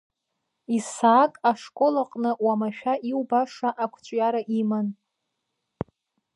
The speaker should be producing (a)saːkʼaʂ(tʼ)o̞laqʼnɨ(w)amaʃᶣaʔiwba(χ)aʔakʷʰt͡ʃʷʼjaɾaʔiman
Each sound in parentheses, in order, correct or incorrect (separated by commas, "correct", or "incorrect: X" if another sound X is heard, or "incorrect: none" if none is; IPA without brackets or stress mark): incorrect: i, incorrect: kʼ, correct, incorrect: ʂ